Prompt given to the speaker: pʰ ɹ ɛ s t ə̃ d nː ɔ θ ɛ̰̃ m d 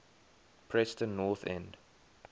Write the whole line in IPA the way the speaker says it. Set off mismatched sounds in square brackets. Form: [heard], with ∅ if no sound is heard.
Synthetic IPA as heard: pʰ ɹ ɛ s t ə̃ [n] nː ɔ θ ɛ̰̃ [n] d